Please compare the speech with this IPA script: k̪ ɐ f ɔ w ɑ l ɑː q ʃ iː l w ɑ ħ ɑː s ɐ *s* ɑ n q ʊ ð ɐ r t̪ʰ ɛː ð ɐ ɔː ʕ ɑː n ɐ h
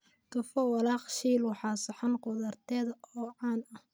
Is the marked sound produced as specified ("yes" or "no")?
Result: no